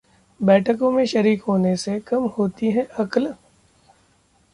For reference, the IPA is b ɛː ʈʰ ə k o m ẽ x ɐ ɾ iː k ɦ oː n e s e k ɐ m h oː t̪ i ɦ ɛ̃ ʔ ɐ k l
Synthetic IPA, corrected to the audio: b ɛː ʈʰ ə k õ m ẽ ʃ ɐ ɾ iː k ɦ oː n e s e k ɐ m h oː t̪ i ɦ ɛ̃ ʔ ɐ k l